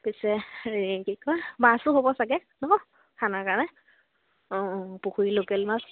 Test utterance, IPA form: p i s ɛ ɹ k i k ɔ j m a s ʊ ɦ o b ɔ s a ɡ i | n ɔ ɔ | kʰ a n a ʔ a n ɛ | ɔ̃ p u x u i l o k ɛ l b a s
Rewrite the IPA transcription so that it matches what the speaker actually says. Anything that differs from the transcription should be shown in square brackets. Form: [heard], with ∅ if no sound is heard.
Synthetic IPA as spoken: p i s ɛ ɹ k i k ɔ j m a s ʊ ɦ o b ɔ s a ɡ [ɛ] | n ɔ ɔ | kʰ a n a [k] a n ɛ | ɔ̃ p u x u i l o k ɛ l [m] a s

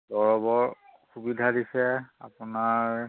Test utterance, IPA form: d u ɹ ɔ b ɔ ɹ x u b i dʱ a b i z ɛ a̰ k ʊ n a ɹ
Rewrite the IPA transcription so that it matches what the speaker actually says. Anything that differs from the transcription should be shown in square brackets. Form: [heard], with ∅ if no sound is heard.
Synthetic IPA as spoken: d [ɔ] ɹ ɔ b ɔ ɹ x u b i dʱ a [d] i [s] ɛ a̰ [p] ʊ n a ɹ

